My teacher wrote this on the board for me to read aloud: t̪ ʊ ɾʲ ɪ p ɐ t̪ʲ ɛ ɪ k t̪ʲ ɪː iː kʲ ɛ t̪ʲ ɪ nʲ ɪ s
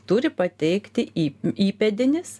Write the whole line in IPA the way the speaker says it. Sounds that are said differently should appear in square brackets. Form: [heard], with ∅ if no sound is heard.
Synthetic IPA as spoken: t̪ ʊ ɾʲ ɪ p ɐ t̪ʲ ɛ ɪ k t̪ʲ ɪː iː [pʲ] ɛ [d̪ʲ] ɪ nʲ ɪ s